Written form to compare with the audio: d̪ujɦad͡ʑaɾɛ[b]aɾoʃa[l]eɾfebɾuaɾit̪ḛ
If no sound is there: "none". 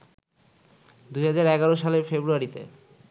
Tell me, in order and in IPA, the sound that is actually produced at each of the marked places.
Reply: ɡ, l

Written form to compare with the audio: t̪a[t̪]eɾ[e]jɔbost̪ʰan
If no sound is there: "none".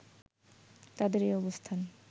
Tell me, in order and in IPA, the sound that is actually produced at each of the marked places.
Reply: d̪, e

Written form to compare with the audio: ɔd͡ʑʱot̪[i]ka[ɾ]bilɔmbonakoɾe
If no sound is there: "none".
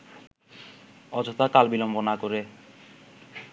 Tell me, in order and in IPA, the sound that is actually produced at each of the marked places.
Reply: a, l

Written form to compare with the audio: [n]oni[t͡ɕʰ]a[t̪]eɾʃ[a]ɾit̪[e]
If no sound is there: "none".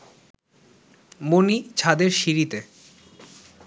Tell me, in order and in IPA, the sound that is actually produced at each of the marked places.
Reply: m, t͡ɕʰ, d̪, i, e

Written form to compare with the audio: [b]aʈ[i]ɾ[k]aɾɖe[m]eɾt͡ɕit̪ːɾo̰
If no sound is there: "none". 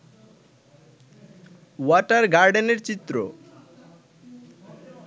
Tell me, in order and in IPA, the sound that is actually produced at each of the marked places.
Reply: w, a, ɡ, n

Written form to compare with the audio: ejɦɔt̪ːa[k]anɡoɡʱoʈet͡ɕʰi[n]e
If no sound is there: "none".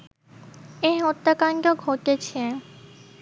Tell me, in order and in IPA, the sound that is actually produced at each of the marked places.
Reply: k, none

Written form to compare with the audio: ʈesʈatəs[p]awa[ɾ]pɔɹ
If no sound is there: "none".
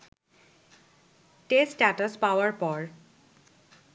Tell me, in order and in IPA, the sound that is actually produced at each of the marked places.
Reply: p, ɹ

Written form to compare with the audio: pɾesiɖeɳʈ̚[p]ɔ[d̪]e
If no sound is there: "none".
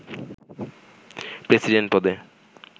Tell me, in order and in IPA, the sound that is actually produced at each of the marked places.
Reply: p, d̪

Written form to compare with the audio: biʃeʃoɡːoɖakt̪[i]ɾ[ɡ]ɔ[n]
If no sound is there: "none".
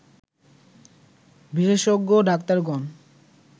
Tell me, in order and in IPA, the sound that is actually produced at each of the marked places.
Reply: a, ɡ, n

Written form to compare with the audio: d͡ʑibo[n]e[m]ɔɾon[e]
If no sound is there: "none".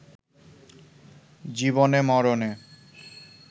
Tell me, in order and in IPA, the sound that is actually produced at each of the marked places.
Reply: n, m, e

